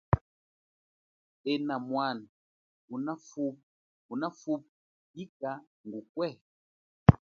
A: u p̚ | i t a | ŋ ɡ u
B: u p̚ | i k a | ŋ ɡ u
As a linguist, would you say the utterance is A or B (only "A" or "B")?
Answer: B